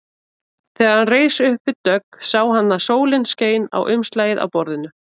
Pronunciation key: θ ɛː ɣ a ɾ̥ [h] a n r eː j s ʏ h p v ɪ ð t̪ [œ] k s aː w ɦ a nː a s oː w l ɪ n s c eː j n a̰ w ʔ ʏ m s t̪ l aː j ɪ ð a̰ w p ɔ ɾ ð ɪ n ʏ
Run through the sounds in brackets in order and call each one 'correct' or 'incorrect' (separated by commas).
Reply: correct, correct